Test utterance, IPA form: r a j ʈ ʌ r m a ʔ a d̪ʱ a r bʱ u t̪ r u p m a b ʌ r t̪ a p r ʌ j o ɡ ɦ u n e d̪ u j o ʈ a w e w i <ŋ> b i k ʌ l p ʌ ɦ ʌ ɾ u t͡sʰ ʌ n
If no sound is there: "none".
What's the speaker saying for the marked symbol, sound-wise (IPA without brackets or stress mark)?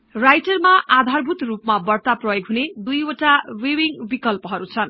ŋ